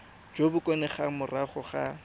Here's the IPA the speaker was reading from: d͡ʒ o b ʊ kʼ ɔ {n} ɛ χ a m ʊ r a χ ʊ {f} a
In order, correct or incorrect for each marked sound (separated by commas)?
correct, incorrect